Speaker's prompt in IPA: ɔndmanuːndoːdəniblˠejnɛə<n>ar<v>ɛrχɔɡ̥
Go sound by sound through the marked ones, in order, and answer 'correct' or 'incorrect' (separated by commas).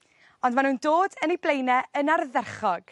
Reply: correct, incorrect